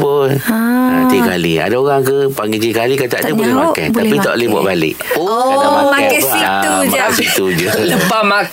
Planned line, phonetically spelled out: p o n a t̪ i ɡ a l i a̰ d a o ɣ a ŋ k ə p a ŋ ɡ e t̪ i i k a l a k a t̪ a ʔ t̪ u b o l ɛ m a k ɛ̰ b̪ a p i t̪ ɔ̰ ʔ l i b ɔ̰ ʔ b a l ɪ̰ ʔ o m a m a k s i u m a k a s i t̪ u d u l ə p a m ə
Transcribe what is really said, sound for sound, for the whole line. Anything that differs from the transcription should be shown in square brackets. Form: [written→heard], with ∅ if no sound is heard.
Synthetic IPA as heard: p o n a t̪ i [ɡ→k] a l i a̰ d a o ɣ a ŋ k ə p a ŋ ɡ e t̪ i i k a l [a→i] k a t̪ a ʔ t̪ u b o l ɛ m a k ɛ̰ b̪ a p i t̪ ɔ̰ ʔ l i b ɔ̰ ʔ b a l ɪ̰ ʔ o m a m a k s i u m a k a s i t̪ u [d→d͡ʒ] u l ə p a m [ə→a]